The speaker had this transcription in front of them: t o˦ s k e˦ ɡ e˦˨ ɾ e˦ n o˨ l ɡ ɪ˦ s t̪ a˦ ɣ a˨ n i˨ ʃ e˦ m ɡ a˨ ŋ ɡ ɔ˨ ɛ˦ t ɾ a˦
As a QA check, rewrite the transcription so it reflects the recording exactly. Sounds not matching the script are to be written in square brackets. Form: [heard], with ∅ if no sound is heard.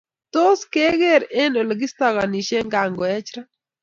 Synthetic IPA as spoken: t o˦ s k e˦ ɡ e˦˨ ɾ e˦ n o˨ l ɡ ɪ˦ s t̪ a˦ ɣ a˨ n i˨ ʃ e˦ [ŋ] ɡ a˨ ŋ ɡ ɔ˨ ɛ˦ [t͡ʃ] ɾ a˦